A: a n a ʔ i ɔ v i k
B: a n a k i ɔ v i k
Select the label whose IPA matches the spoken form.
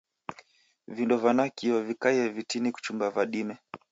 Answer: B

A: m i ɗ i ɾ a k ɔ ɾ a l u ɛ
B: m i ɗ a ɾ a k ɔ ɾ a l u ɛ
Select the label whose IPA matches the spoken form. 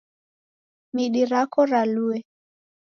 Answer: A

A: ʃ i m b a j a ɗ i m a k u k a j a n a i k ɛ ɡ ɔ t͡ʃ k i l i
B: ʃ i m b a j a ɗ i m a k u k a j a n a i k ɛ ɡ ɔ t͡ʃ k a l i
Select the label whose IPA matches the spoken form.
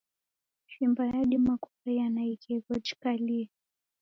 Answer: B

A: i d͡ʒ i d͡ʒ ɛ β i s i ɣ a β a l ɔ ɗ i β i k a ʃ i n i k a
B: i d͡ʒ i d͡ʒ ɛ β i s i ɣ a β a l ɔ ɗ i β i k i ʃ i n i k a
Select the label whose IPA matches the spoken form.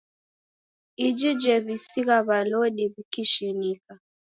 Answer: B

